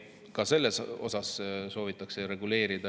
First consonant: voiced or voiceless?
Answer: voiceless